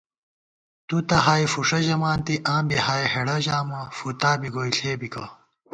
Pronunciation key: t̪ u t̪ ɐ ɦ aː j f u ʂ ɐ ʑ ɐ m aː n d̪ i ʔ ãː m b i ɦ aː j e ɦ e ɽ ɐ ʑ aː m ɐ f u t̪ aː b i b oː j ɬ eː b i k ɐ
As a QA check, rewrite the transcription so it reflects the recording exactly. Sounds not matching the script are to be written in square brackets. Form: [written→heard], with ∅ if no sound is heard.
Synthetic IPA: t̪ u t̪ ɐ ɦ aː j f u ʂ ɐ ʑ ɐ m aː n [d̪→t̪] i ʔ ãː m b i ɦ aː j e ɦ e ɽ ɐ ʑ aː m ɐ f u t̪ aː b i [b→ɡ] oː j ɬ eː b i k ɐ